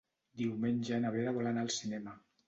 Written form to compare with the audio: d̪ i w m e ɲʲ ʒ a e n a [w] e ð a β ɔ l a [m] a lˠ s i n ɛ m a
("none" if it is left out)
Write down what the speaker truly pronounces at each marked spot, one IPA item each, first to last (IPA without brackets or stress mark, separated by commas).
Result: β, n